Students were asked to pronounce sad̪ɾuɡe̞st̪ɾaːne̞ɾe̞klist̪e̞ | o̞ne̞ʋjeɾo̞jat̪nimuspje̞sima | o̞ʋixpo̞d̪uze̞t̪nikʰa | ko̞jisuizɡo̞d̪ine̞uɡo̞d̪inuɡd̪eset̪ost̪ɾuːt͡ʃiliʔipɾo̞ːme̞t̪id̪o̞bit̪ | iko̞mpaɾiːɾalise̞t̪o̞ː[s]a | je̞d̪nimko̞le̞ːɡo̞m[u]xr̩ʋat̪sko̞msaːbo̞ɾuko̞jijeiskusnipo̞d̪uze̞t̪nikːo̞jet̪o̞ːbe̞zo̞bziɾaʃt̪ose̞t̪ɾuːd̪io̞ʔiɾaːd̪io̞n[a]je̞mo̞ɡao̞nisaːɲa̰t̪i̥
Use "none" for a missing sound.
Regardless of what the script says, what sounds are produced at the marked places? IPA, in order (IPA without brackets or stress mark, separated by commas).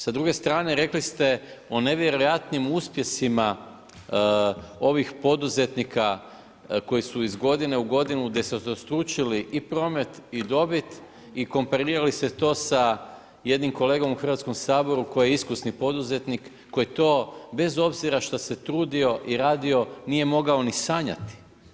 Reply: s, u, i